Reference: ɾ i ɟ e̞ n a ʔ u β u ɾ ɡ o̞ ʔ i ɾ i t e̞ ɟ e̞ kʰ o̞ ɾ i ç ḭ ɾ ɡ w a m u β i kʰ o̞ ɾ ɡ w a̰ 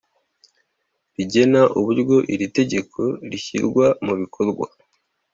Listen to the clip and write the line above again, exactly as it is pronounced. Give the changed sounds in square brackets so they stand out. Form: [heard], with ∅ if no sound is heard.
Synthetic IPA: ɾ i ɟ e̞ n a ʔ u β u ɾ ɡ o̞ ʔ i ɾ i t e̞ ɟ e̞ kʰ o̞ ɾ i ç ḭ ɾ ɡ w a m u β i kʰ o̞ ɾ ɡ w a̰